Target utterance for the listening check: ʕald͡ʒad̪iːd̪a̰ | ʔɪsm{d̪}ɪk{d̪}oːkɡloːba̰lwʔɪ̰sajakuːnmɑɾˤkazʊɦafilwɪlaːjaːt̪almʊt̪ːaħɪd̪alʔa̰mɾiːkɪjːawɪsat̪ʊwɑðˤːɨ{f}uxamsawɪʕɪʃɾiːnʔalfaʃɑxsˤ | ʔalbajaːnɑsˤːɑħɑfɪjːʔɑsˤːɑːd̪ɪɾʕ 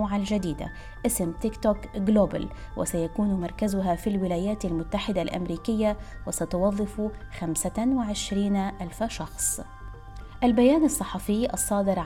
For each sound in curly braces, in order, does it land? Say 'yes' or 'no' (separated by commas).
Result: no, no, yes